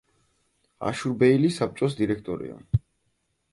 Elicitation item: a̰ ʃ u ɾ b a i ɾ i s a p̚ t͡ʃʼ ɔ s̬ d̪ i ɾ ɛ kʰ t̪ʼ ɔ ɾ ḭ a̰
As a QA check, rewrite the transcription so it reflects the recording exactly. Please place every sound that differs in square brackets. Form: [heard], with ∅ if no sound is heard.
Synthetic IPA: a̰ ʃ u ɾ b [ɛ] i [l] i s a p̚ t͡ʃʼ ɔ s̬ d̪ i ɾ ɛ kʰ t̪ʼ ɔ ɾ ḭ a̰